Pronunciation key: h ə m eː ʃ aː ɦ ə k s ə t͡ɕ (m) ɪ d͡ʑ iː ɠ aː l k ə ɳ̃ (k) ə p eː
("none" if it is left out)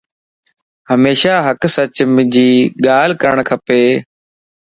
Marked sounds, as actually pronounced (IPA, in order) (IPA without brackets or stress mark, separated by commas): m, kʰ